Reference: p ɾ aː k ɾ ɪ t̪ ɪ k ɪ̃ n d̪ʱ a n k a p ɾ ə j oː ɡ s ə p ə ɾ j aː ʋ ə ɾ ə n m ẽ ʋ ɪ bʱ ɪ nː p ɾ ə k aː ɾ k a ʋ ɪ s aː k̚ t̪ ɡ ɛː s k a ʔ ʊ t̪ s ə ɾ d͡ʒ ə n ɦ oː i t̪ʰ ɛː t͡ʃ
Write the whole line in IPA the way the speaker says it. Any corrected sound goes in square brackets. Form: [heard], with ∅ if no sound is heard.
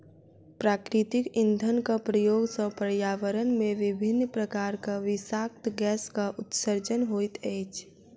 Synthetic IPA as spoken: p ɾ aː k ɾ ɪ t̪ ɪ k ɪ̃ n d̪ʱ [ə] n k a p ɾ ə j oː ɡ s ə p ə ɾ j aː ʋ ə ɾ ə n m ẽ ʋ ɪ bʱ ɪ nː p ɾ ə k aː ɾ k a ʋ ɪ s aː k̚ t̪ ɡ ɛː s k a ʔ ʊ t̪ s ə ɾ d͡ʒ ə n ɦ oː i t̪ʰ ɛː t͡ʃ